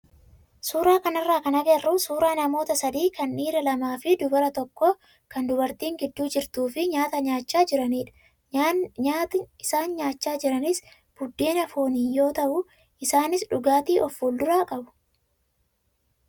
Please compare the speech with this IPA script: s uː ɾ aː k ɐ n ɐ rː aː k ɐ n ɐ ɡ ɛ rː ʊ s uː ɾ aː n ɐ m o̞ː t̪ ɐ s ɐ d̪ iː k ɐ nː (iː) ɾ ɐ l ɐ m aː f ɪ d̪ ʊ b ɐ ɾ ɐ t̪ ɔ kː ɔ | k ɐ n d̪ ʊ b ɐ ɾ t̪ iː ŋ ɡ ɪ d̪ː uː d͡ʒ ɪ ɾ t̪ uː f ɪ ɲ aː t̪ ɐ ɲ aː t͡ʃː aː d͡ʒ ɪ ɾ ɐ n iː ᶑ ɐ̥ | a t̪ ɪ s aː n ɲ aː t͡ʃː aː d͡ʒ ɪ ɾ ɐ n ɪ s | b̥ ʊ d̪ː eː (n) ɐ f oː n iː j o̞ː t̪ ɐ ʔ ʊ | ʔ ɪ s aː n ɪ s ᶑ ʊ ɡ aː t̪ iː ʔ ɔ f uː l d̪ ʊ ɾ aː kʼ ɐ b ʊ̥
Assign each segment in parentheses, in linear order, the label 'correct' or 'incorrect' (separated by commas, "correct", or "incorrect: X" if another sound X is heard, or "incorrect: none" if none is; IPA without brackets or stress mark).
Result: correct, correct